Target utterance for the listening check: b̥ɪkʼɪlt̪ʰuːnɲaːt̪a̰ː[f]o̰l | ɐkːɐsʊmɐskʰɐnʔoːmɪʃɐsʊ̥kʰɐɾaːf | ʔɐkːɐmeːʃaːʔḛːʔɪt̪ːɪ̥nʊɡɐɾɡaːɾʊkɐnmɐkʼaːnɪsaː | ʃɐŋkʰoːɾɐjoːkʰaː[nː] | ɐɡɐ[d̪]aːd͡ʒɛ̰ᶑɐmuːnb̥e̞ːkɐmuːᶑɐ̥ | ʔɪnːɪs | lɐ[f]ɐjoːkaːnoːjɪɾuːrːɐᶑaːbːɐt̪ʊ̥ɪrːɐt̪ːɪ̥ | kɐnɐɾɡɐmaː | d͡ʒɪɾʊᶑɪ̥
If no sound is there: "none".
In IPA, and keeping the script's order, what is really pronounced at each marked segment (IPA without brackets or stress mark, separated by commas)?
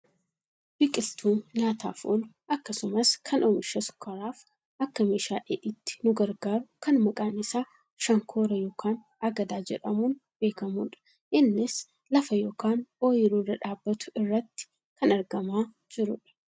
f, n, d̪, f